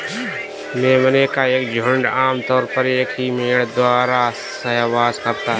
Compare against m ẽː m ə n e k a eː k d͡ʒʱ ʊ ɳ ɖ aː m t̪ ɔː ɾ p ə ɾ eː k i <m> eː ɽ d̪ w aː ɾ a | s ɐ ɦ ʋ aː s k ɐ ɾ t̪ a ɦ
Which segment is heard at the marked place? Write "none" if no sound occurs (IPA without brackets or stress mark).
m